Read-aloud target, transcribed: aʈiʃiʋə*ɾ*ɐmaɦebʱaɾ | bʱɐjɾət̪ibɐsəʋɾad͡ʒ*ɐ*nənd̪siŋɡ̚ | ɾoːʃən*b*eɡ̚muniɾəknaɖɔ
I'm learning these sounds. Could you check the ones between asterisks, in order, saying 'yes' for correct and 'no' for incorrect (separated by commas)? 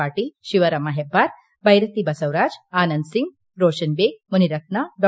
yes, no, yes